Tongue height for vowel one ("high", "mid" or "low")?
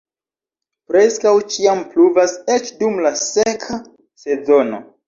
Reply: mid